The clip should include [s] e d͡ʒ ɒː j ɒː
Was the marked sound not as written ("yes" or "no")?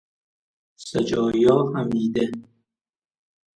no